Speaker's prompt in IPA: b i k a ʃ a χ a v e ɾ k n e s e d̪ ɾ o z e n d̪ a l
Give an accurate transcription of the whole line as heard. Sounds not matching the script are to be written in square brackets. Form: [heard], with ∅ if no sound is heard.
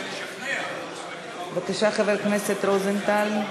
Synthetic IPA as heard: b [a] k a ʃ a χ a v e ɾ k n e s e [t̪] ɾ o z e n [t̪] a l